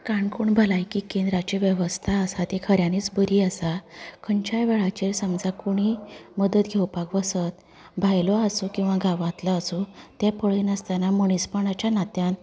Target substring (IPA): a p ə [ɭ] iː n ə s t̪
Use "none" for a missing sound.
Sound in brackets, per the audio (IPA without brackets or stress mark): ɭ